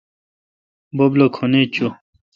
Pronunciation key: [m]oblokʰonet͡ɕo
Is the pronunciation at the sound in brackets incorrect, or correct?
incorrect